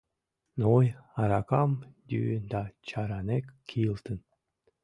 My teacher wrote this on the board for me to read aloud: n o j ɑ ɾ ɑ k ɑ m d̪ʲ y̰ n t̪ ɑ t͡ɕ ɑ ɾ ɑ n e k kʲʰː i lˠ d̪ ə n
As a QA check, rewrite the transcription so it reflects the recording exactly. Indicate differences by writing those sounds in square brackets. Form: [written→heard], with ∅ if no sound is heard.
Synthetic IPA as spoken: n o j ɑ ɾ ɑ k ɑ m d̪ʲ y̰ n [t̪→d̪] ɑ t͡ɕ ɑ ɾ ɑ n e k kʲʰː i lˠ [d̪→t̪] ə n